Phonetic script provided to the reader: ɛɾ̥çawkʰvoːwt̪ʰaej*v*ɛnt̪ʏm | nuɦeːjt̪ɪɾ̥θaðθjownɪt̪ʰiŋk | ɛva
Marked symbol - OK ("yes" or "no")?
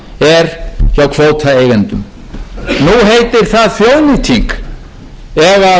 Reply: no